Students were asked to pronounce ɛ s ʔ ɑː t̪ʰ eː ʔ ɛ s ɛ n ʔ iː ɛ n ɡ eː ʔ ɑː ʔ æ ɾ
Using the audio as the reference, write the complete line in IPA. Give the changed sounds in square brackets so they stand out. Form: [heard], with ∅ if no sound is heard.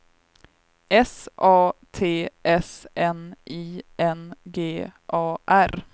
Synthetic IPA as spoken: ɛ s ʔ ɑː t̪ʰ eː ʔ ɛ s ɛ n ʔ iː ɛ n ɡ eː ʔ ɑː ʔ æ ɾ